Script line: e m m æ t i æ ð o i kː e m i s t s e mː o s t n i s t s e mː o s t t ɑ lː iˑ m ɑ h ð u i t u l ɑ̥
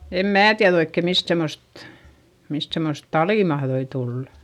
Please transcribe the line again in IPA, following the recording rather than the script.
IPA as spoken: e m m æː t i æ ð o i kː e m i s t s e mː o s t m i s t s e mː o s t t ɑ l iˑ m ɑ h ð o i t u lː ɑ̥